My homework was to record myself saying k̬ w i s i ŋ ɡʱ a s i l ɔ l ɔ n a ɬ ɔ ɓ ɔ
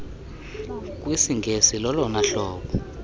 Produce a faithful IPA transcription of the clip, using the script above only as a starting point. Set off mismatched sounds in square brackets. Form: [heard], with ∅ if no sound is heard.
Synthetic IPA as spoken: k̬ w i s i ŋ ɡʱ [e] s i l ɔ l ɔ n a ɬ [ɔː] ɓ ɔ